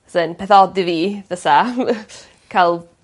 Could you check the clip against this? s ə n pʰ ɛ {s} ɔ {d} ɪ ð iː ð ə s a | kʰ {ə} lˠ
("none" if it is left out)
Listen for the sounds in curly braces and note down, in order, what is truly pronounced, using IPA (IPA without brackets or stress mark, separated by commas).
θ, d, a